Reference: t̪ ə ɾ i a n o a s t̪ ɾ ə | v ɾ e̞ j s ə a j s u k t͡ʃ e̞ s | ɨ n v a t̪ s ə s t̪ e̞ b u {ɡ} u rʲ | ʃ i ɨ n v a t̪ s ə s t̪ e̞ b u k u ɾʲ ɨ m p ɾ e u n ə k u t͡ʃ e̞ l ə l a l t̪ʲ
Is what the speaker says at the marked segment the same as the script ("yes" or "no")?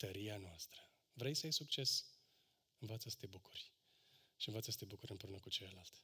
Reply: no